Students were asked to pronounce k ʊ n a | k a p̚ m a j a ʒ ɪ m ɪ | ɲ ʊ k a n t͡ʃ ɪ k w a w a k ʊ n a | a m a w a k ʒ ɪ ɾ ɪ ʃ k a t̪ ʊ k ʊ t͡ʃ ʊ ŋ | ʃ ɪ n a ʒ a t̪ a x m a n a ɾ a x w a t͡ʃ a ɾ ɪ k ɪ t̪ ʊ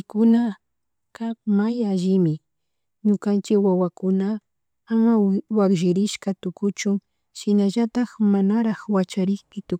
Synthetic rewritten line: k ʊ n a | k a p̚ m a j a ʒ ɪ m ɪ | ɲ ʊ k a n t͡ʃ ɪ k w a w a k ʊ n a | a m a w a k ʒ ɪ ɾ ɪ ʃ k a t̪ ʊ k ʊ t͡ʃ ʊ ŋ | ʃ ɪ n a ʒ a t̪ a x m a n a ɾ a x w a t͡ʃ a ɾ ɪ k ɪ t̪ ʊ